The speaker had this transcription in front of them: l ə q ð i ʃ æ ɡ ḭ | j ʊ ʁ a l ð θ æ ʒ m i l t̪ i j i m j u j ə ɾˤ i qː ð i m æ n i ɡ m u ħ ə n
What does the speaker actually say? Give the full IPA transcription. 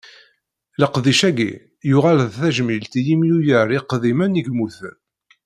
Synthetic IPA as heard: l ə q ð i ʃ æ ɡ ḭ | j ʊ ʁ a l ð θ æ ʒ m i l t̪ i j i m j u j ə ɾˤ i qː ð i m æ n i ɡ m u θ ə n